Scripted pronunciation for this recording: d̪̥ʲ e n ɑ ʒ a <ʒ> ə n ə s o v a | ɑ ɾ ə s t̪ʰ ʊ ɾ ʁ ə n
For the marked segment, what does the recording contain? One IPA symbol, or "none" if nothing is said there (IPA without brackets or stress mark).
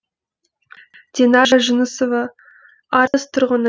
ʒ